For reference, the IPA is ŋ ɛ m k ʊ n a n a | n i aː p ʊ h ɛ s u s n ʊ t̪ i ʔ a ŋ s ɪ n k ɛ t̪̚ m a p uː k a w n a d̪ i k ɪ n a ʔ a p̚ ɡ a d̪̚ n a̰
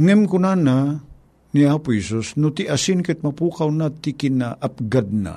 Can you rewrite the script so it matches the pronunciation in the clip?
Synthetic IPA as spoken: ŋ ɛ m k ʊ n a n a | n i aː p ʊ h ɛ s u s n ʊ t̪ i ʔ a s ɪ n k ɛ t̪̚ m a p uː k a w n a t̪ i k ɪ n a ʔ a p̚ ɡ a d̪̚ n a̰